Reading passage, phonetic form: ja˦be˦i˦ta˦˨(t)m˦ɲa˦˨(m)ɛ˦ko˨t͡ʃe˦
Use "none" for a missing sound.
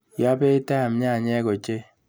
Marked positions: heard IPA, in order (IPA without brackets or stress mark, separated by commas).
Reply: none, ɲ